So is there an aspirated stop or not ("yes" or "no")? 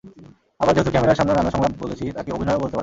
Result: yes